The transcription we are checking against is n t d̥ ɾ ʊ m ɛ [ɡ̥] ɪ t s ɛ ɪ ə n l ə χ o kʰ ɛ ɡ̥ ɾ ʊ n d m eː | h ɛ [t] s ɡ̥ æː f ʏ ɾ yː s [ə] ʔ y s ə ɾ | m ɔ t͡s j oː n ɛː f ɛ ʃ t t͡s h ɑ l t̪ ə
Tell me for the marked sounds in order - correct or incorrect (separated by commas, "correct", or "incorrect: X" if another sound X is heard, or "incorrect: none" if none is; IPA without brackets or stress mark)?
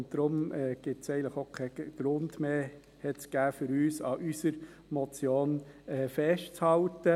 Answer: correct, correct, incorrect: ɑ